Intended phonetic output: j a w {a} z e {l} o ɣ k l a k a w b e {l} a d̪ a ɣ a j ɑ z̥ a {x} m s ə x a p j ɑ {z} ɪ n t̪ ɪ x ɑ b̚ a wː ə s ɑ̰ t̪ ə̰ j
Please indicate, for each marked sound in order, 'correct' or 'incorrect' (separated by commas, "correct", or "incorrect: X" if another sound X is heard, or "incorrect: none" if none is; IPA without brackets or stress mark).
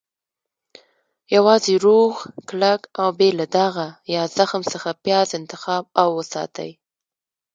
incorrect: ɑ, incorrect: ɾ, correct, correct, correct